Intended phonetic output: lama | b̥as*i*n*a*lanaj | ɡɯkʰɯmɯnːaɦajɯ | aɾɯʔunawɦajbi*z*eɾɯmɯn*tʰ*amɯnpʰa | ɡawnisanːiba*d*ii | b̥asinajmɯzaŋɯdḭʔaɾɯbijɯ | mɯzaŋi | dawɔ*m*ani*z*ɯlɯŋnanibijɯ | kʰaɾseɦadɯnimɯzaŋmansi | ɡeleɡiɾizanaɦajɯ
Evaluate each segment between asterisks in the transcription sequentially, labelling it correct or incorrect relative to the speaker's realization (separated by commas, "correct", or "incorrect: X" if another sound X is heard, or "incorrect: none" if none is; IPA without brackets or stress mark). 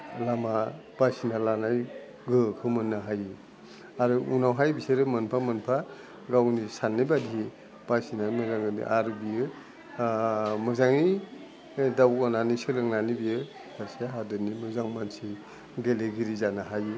correct, correct, incorrect: s, incorrect: pʰ, correct, incorrect: n, incorrect: s